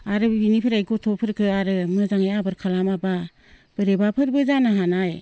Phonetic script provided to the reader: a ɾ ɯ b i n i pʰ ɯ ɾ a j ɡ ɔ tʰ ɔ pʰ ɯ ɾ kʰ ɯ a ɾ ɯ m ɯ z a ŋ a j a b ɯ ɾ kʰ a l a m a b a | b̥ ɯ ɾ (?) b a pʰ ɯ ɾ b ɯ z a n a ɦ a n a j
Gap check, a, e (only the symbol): e